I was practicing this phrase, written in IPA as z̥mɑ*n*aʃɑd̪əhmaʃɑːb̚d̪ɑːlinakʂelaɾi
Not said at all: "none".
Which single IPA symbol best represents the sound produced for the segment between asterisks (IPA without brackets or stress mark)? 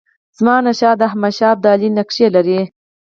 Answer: n